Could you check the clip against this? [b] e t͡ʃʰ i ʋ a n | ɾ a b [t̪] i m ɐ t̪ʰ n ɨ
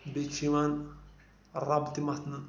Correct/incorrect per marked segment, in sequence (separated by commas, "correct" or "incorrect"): correct, correct